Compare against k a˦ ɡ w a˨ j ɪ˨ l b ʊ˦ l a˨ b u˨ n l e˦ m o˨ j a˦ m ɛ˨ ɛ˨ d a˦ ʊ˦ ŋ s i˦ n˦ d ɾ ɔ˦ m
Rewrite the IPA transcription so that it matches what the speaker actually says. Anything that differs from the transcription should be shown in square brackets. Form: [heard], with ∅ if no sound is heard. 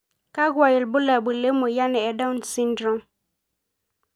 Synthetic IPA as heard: k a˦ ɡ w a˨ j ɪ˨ l b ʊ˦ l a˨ b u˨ [∅] l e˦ m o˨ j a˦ [n] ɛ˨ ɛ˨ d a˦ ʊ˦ [n] s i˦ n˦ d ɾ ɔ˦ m